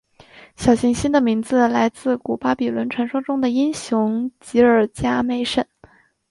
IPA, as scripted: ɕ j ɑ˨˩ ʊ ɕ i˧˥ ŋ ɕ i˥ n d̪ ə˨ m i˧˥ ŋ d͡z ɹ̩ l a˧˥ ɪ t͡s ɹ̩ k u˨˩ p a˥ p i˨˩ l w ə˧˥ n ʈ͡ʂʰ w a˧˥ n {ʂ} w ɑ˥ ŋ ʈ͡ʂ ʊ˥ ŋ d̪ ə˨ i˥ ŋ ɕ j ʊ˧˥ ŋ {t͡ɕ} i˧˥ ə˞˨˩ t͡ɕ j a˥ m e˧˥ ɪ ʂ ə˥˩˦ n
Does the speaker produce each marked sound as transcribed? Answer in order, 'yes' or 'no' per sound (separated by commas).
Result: yes, yes